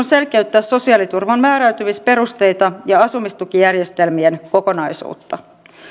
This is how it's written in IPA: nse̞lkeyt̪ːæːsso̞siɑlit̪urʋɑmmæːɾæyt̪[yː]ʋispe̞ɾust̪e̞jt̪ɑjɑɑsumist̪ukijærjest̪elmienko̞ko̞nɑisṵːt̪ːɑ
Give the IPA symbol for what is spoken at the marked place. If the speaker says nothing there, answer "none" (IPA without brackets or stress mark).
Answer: y